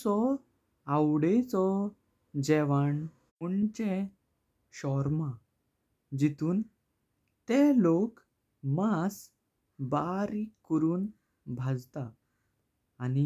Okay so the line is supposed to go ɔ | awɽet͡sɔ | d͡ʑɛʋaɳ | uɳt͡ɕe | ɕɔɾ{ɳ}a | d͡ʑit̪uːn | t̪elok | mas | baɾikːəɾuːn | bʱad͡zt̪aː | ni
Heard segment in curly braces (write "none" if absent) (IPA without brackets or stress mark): m